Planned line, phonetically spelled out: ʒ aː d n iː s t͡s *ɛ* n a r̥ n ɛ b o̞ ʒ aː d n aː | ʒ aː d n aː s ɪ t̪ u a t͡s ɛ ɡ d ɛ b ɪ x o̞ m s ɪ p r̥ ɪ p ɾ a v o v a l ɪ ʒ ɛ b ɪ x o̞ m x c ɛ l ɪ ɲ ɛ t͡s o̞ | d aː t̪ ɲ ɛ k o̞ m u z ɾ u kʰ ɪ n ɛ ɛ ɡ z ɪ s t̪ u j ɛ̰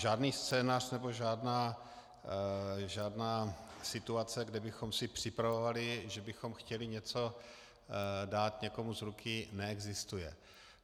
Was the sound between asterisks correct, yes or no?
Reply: no